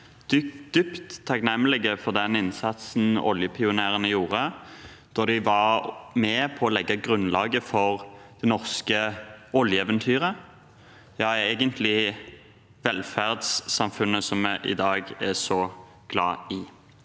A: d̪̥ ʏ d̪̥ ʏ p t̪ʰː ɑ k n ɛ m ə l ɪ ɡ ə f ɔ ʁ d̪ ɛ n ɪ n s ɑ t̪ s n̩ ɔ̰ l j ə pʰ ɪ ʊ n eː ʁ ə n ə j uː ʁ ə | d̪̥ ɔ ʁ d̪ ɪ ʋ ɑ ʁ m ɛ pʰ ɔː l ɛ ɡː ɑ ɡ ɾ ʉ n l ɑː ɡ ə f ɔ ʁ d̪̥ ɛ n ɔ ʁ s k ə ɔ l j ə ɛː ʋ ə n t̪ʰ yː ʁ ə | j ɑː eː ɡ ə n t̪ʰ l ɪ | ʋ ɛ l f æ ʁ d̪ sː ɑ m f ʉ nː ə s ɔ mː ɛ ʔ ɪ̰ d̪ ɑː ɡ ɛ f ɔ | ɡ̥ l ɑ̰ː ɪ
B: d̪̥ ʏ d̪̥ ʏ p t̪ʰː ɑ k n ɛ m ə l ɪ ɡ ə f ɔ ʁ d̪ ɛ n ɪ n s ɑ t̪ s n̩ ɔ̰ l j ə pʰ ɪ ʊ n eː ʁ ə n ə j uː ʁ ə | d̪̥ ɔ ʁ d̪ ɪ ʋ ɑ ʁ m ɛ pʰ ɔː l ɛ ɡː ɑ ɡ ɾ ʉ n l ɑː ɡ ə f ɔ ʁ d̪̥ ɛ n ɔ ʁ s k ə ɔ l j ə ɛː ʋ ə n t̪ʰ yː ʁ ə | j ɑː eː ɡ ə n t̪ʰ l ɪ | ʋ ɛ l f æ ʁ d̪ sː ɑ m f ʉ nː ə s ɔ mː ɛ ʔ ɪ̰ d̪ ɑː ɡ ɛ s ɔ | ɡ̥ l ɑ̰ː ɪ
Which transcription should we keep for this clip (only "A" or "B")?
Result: B